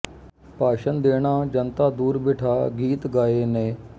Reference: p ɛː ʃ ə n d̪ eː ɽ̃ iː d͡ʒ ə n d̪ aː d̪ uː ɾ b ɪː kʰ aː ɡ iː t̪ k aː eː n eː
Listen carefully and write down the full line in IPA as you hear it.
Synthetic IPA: p aː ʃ ə n d̪ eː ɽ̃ aː d͡ʒ ə n t̪ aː d̪ uː ɾ b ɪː ʈʰ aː ɡ iː t̪ ɡ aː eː n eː